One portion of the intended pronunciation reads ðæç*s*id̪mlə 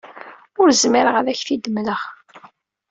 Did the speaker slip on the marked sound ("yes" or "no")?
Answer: yes